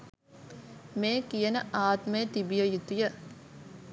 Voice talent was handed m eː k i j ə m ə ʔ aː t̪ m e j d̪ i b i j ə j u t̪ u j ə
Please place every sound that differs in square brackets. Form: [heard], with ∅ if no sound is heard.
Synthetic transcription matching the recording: m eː k i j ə [n] ə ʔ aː t̪ m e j [t̪] i b i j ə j u t̪ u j ə